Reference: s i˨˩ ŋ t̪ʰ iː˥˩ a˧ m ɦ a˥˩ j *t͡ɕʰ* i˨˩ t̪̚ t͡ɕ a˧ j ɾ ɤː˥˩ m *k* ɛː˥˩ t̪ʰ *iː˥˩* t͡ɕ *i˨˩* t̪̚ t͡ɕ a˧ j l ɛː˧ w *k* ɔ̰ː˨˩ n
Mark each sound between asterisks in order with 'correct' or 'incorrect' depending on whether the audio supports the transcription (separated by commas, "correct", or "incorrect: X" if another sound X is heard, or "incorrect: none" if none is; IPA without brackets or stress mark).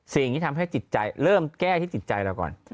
incorrect: t͡ɕ, correct, correct, correct, correct